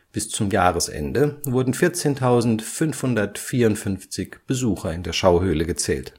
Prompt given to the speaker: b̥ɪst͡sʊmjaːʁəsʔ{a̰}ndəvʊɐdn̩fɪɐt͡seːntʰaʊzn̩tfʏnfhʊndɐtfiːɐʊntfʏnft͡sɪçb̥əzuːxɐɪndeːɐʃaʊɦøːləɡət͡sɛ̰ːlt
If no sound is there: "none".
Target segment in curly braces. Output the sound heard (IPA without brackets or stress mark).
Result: ɛ̰